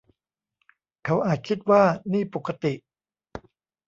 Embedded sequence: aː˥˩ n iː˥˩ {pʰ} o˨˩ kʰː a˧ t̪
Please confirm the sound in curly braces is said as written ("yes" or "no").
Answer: no